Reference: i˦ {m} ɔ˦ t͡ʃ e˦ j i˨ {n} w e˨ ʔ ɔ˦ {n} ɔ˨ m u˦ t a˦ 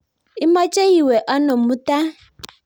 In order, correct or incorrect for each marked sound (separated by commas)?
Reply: correct, incorrect, correct